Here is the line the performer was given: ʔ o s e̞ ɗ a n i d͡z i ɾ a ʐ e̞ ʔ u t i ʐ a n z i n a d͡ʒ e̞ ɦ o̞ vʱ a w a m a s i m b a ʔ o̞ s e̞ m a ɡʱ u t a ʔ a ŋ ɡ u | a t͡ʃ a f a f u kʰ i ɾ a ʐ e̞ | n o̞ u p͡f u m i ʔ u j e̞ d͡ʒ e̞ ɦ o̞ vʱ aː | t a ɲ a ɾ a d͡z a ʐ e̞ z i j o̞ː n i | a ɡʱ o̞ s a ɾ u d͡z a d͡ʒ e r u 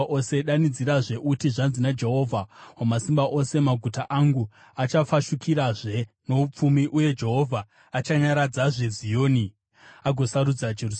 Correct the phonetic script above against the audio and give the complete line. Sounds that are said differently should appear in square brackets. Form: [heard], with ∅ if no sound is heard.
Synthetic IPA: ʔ o s e̞ ɗ a n i d͡z i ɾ a ʐ e̞ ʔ u t i ʐ a n z i n a d͡ʒ e̞ ɦ o̞ vʱ a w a m a s i m b a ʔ o̞ s e̞ m a ɡʱ u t a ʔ a ŋ ɡ u | a t͡ʃ a f a [ʃ] u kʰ i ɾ a ʐ e̞ | n o̞ u p͡f u m i ʔ u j e̞ d͡ʒ e̞ ɦ o̞ vʱ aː | [t͡ʃ] a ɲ a ɾ a d͡z a ʐ e̞ z i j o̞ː n i | a ɡʱ o̞ s a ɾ u d͡z a d͡ʒ e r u